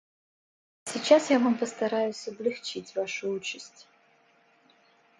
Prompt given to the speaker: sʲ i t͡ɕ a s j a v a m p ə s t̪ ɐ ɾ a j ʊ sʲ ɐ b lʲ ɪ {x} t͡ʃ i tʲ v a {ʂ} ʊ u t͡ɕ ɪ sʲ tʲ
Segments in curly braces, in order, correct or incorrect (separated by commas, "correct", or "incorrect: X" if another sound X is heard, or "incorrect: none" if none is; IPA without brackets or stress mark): correct, correct